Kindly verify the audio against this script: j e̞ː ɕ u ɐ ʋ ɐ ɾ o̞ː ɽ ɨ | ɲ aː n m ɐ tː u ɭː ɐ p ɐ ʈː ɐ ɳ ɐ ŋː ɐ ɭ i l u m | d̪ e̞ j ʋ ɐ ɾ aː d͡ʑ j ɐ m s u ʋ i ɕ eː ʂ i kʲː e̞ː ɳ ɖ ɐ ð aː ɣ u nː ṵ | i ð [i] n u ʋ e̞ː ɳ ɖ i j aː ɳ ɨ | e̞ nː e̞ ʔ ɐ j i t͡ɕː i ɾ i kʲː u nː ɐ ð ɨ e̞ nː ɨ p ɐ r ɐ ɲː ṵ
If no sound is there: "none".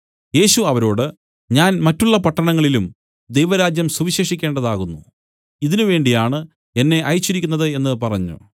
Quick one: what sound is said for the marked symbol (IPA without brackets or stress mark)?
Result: i